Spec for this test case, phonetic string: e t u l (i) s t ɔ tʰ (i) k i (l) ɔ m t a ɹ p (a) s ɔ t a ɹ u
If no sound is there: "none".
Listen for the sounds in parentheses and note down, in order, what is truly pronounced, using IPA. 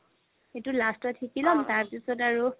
a, i, l, i

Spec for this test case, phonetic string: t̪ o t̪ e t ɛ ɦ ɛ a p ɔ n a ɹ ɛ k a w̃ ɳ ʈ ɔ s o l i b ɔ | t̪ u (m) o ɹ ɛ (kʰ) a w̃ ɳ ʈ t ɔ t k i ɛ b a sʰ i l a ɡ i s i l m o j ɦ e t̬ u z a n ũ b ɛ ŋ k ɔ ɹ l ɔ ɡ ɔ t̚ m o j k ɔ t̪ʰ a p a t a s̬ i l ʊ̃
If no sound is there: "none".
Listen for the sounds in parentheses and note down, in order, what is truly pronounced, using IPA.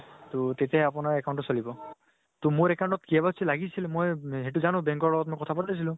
m, k

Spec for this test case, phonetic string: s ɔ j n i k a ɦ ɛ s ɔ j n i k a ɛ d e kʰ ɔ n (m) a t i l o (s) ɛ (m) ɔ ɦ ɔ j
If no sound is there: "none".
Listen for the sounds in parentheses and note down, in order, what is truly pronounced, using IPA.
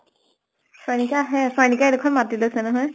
m, s, n

